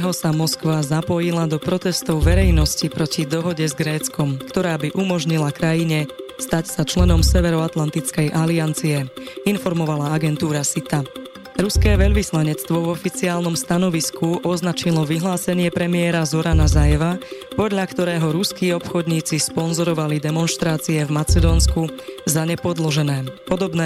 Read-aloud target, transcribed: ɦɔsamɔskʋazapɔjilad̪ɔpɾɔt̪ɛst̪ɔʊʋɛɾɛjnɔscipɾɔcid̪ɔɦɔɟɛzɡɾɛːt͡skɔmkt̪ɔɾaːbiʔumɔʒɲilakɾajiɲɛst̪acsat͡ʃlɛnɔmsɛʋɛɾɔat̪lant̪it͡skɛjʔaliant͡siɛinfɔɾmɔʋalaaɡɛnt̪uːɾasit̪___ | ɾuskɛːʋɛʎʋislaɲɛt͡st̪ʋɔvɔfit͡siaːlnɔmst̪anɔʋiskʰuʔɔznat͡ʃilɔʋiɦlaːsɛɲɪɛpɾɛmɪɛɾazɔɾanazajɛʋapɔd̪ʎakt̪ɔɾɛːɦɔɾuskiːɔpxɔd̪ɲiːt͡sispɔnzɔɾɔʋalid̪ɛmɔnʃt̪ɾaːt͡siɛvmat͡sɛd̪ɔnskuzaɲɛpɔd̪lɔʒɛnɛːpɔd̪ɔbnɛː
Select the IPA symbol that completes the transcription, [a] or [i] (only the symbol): a